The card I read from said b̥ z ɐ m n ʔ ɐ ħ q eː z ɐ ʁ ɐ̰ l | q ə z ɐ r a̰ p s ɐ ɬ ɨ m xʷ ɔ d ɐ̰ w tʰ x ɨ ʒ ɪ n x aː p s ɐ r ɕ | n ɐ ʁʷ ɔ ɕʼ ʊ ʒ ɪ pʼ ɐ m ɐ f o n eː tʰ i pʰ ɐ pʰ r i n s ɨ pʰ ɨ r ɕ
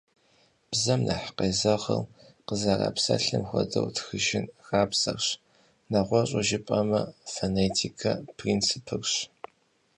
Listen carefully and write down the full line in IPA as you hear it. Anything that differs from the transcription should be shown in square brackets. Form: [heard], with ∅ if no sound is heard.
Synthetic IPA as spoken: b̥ z ɐ m n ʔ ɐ ħ q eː z ɐ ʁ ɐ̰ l | q ə z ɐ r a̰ p s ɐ ɬ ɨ m xʷ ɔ d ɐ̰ w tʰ x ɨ ʒ ɪ n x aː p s ɐ r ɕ | n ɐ ʁʷ ɔ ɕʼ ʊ ʒ ɪ pʼ ɐ m ɐ f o n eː tʰ i [kʰ] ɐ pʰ r i n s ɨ pʰ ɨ r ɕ